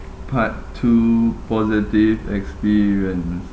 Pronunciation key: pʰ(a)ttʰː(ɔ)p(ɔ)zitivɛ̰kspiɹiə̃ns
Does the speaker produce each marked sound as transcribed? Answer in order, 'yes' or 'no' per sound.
yes, no, yes

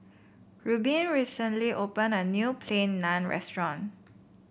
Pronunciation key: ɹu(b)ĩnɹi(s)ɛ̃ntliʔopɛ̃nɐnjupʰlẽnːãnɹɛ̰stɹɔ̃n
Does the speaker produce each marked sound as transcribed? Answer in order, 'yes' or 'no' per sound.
yes, yes

